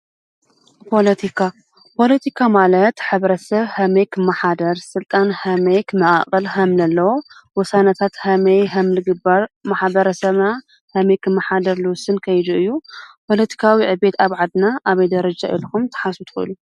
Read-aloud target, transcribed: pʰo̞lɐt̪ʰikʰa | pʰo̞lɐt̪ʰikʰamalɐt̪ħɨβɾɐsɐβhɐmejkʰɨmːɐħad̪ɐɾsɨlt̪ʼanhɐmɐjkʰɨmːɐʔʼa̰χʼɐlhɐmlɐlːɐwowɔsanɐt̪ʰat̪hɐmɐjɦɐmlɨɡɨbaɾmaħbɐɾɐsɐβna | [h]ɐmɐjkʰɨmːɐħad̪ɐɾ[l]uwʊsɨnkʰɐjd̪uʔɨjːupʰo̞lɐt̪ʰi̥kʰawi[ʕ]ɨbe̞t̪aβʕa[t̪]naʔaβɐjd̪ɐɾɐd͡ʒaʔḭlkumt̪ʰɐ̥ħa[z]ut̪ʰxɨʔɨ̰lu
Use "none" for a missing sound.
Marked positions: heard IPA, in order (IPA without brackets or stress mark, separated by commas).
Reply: h, l, ʕ, d̪, s